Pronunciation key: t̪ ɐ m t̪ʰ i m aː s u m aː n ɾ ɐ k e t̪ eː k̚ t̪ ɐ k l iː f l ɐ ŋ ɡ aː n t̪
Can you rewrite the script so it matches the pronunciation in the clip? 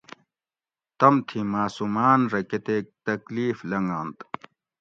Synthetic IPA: t̪ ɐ m t̪ʰ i m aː s u m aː n ɾ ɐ k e t̪ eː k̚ t̪ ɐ k l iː f l ɐ ŋ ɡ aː n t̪